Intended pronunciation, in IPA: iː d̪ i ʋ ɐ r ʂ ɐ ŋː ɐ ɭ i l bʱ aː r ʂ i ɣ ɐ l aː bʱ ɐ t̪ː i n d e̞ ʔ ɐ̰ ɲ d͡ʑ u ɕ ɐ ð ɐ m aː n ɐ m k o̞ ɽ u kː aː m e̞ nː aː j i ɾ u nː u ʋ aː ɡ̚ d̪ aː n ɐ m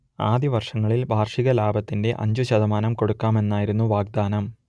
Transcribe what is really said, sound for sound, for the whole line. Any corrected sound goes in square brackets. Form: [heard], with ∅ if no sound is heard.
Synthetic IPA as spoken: [aː] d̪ i ʋ ɐ r ʂ ɐ ŋː ɐ ɭ i l bʱ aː r ʂ i ɣ ɐ l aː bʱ ɐ t̪ː i n d e̞ ʔ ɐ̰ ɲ d͡ʑ u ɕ ɐ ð ɐ m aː n ɐ m k o̞ ɽ u kː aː m e̞ nː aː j i ɾ u nː u ʋ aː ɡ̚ d̪ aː n ɐ m